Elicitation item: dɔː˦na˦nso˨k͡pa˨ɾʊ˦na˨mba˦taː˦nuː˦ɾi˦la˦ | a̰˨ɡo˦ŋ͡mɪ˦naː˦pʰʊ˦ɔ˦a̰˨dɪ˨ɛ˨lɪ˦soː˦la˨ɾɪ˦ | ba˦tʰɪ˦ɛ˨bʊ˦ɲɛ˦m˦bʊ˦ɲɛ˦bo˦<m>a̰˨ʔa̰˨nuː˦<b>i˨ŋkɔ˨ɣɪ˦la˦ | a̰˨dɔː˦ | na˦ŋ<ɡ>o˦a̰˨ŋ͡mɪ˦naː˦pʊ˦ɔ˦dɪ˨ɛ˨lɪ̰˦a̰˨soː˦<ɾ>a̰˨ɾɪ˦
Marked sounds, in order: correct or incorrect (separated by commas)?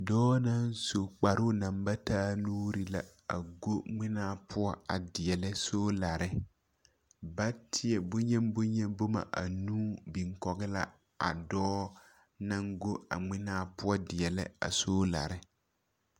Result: correct, correct, correct, incorrect